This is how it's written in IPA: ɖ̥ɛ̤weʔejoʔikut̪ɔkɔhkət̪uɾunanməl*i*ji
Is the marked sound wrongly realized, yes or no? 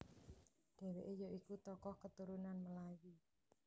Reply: yes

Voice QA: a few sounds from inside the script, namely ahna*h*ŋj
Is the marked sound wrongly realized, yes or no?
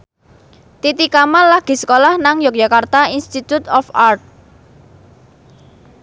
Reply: yes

